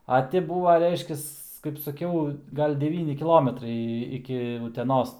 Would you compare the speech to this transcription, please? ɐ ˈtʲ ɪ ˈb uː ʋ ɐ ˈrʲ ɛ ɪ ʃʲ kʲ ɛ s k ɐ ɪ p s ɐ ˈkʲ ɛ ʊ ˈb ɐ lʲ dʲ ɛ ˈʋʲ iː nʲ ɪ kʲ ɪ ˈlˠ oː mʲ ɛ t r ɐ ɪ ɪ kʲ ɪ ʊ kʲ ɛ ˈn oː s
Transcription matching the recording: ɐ ˈtʲ ɪ ˈb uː ʋ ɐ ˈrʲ ɛ ɪ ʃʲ kʲ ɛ s k ɐ ɪ p s ɐ ˈkʲ ɛ ʊ ˈɡ ɐ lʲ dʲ ɛ ˈʋʲ iː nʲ ɪ kʲ ɪ ˈlˠ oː mʲ ɛ t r ɐ ɪ ɪ kʲ ɪ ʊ tʲ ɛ ˈn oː s